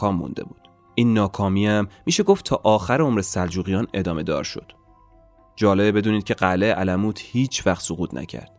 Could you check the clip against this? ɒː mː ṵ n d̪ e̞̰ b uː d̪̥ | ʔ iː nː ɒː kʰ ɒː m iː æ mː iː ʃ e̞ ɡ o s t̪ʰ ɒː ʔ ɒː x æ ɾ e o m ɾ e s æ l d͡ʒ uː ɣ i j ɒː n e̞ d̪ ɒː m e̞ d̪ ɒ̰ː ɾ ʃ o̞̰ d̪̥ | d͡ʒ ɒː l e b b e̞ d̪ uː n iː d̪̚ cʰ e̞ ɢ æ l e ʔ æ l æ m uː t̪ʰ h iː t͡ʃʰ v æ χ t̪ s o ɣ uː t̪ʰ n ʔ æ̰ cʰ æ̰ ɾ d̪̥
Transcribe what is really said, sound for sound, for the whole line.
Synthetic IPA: ɒː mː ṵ n d̪ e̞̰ b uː d̪̥ | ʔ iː nː ɒː kʰ ɒː m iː æ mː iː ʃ e̞ ɡ o f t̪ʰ ɒː ʔ ɒː x æ ɾ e o m ɾ e s æ l d͡ʒ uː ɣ i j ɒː n e̞ d̪ ɒː m e̞ d̪ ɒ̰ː ɾ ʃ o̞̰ d̪̥ | d͡ʒ ɒː l e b b e̞ d̪ uː n iː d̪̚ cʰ e̞ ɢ æ l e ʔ æ l æ m uː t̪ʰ h iː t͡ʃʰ v æ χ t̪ s o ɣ uː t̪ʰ n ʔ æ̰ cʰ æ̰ ɾ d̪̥